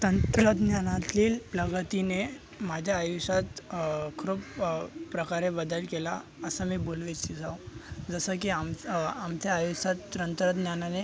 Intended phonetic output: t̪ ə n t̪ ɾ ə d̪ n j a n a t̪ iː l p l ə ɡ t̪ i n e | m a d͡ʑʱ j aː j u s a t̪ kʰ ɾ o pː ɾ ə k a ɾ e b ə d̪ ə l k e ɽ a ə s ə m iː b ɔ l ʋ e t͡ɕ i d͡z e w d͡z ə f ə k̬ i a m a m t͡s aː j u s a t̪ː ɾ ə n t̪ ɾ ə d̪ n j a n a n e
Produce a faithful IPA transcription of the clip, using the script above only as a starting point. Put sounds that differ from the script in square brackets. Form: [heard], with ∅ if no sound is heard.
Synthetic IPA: t̪ ə n t̪ ɾ ə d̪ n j a n a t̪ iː l p l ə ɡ t̪ i n e | m a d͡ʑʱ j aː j u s a t̪ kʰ ɾ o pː ɾ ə k a ɾ e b ə d̪ ə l k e [l] a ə s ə m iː b [o] l ʋ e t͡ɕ i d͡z [a] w d͡z ə [s] ə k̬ i a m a m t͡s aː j u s a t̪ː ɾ ə n t̪ ɾ ə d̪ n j a n a n e